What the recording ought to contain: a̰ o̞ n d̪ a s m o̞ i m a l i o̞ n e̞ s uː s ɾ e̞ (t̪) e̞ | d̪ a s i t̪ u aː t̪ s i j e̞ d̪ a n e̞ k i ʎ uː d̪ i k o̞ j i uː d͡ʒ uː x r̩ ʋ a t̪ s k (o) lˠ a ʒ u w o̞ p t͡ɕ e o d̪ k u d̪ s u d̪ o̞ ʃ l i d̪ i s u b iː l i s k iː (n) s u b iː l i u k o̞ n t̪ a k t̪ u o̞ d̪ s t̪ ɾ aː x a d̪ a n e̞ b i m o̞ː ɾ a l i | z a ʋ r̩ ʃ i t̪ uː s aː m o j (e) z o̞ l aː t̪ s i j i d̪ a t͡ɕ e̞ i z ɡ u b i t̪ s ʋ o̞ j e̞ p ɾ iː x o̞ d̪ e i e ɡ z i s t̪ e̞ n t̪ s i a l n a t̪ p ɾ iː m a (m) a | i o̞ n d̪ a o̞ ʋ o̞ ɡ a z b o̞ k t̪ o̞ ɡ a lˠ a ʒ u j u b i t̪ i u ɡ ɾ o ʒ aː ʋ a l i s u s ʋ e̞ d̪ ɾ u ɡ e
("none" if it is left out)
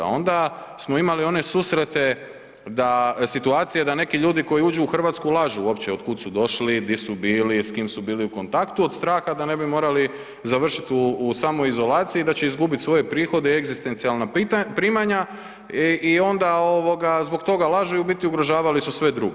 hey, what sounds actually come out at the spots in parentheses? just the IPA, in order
t̪, u, m, i, ɲ

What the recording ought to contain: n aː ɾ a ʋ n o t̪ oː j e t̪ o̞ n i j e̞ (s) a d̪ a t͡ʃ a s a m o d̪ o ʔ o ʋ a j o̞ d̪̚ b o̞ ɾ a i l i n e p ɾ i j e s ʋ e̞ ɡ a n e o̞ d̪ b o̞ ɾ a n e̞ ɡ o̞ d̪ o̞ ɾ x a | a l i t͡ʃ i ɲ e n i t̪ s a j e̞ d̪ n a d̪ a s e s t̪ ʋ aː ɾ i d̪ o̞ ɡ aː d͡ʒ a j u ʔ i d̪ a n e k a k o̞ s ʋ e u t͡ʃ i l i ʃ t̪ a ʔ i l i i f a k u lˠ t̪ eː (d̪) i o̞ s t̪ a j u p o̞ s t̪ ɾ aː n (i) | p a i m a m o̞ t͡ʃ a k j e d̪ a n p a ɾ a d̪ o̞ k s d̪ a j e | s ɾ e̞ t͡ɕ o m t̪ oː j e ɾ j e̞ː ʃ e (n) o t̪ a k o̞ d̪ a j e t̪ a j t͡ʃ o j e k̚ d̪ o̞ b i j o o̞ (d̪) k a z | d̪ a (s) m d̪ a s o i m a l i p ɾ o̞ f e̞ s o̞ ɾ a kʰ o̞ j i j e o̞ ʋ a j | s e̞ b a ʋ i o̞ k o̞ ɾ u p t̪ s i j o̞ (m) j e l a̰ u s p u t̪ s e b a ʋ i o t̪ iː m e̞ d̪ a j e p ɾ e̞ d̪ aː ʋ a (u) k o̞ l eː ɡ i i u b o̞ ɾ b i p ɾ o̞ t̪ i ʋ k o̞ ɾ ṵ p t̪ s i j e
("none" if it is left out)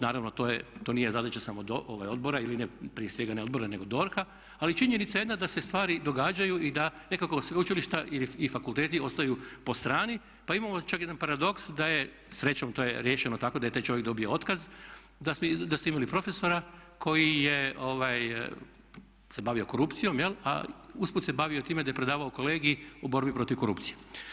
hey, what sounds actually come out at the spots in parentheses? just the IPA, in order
z, t̪, i, n, t̪, s, m, o

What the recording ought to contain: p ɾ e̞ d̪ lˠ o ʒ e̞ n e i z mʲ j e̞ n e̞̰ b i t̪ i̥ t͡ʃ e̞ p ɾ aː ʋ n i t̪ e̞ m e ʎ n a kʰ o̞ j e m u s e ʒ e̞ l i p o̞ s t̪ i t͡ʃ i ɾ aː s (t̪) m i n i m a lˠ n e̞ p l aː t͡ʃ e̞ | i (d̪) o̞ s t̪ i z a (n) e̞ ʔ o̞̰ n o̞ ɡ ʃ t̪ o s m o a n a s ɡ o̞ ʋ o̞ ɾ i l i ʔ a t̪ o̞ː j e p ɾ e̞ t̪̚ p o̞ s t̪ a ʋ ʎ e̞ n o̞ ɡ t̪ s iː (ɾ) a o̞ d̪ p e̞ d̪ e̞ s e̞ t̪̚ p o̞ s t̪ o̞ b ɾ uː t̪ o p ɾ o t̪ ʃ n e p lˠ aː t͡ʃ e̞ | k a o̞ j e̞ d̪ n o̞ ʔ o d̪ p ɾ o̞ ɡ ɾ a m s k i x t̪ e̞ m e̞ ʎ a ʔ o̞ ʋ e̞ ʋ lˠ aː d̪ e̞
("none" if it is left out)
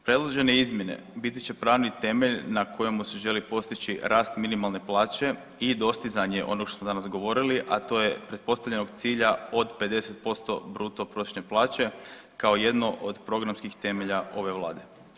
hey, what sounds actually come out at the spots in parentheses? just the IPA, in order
t̪, d̪, ɲ, ʎ

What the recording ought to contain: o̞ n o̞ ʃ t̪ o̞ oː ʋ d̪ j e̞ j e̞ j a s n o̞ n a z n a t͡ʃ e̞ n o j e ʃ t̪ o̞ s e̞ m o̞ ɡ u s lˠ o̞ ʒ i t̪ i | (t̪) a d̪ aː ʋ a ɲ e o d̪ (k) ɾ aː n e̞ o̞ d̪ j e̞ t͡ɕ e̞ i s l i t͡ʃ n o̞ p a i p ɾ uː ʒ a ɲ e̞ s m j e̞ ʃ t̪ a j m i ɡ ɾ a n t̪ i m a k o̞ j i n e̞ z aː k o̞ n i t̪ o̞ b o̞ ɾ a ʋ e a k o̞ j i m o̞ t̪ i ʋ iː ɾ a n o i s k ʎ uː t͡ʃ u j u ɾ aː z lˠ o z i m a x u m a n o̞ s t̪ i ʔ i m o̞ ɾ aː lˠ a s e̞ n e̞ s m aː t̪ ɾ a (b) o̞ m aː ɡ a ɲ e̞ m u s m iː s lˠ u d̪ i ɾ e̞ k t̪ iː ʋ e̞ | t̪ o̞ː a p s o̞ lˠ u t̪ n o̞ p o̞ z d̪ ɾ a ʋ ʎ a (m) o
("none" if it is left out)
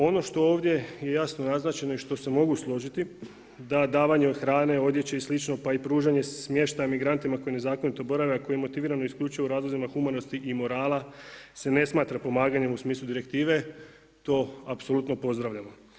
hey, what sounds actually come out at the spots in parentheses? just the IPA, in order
d̪, x, p, m

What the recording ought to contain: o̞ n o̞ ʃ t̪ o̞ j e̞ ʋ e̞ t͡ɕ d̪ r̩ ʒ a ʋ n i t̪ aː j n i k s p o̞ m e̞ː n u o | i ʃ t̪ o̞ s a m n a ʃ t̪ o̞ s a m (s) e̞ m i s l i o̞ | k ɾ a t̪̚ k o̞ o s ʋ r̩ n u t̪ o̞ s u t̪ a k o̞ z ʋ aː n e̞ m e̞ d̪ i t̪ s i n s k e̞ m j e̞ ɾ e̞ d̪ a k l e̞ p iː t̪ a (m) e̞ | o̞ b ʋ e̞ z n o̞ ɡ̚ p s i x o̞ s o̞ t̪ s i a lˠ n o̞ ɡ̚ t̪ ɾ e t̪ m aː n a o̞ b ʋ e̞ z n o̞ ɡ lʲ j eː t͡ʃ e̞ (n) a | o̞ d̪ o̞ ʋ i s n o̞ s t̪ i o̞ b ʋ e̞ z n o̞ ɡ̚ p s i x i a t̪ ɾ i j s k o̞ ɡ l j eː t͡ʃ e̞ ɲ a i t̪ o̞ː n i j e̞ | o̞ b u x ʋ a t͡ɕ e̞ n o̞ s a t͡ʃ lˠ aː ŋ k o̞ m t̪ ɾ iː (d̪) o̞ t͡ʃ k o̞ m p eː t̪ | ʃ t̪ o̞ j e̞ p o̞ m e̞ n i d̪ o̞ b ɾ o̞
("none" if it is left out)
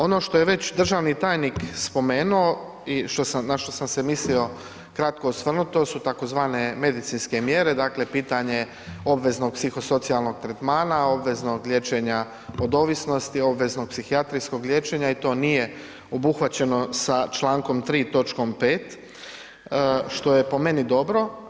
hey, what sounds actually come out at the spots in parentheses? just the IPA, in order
s, ɲ, ɲ, t̪

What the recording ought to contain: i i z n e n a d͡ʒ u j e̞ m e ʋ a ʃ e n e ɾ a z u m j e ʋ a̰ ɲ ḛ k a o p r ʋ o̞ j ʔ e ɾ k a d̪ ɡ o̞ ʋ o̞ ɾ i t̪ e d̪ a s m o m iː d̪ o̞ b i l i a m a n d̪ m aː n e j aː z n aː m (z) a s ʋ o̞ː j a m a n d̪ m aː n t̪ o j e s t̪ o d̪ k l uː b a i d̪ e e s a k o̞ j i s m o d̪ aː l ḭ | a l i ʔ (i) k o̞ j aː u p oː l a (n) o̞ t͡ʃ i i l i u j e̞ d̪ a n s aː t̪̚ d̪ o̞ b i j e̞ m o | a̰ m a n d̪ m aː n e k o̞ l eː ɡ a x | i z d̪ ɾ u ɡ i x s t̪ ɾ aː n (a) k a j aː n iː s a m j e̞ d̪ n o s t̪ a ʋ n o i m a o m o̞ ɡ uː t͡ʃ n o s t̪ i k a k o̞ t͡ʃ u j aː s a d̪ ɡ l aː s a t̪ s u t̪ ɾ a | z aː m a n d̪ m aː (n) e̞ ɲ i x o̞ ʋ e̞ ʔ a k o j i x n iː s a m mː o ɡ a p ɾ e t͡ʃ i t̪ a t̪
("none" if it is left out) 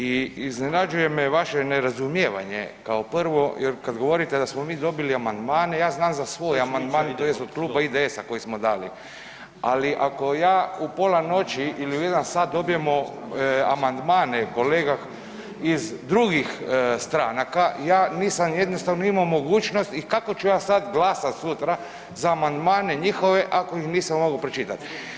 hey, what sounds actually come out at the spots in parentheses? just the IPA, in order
z, a, n, a, n

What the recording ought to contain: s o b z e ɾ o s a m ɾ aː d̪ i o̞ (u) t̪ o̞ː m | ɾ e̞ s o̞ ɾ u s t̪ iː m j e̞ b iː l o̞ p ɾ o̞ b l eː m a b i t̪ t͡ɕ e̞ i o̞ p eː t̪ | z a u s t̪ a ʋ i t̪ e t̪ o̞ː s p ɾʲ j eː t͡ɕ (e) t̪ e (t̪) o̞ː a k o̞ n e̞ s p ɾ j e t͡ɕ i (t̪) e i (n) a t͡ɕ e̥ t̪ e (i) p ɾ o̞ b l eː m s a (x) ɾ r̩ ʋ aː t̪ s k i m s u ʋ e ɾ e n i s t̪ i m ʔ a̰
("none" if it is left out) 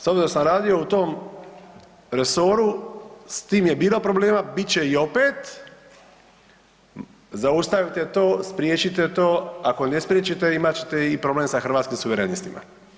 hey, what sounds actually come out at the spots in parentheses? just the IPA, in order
u, i, t̪, t̪, m, i, x

